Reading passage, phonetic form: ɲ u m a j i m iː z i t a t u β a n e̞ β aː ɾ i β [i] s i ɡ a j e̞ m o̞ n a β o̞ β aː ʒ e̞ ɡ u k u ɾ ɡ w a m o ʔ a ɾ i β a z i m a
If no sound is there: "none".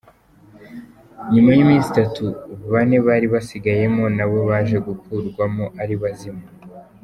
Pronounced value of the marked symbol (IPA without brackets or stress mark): a